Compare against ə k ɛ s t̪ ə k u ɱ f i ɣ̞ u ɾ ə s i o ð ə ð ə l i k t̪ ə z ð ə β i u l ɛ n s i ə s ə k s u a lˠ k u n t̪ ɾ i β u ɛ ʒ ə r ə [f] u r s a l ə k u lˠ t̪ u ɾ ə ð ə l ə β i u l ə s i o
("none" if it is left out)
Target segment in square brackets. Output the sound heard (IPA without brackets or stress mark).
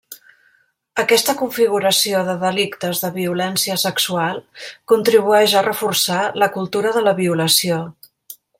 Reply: f